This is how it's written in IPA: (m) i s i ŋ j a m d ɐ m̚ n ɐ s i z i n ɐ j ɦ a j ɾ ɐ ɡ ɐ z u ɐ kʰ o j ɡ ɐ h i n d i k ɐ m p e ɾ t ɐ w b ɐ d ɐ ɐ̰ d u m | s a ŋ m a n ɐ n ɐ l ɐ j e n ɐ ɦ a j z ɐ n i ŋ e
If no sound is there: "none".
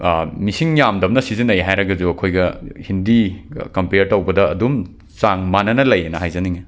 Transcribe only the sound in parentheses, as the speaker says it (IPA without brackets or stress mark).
m